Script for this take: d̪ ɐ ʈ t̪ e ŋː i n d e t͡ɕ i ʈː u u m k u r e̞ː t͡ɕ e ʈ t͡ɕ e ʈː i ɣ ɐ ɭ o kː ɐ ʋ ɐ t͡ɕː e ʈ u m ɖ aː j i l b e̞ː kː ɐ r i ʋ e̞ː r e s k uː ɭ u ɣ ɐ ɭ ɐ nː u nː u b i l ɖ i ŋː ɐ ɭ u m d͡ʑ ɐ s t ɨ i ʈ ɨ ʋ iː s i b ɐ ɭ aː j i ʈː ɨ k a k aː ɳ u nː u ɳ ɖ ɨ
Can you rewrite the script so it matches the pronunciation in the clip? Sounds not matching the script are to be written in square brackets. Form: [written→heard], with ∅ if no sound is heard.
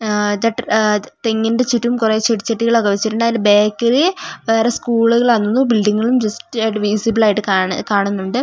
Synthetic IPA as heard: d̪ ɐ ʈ t̪ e ŋː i n d e t͡ɕ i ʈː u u m k u r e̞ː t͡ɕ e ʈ t͡ɕ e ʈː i ɣ ɐ ɭ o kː ɐ ʋ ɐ t͡ɕː [e→i] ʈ u [m→ɳ] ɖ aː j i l b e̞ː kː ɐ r i ʋ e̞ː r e s k uː ɭ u ɣ ɐ ɭ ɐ nː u nː u b i l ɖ i ŋː ɐ ɭ u m d͡ʑ ɐ s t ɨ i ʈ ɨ ʋ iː s i b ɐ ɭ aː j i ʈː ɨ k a k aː ɳ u nː u ɳ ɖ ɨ